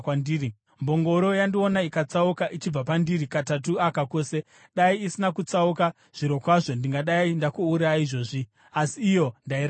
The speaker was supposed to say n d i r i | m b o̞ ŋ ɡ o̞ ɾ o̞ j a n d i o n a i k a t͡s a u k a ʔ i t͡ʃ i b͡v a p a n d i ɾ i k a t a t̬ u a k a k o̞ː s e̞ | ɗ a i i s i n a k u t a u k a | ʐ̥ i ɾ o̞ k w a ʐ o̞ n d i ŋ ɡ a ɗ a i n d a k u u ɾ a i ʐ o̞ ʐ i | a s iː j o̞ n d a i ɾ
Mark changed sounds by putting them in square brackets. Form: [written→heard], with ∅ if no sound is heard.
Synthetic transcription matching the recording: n d i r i | m b o̞ ŋ ɡ o̞ ɾ o̞ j a n d i o n a i k a t͡s a u k a ʔ i t͡ʃ i b͡v a p a n d i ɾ i k a t a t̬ u a k a k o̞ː s e̞ | ɗ a i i s i n a k u [t→t͡s] a u k a | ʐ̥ i ɾ o̞ k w a ʐ o̞ n d i ŋ ɡ a ɗ a i n d a k u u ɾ a i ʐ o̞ ʐ i | a s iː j o̞ n d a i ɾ